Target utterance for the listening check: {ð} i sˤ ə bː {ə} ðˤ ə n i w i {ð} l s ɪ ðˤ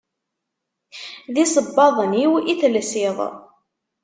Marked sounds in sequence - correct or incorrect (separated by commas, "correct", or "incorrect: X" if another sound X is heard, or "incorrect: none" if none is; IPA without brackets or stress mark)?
correct, incorrect: ɑ, incorrect: θ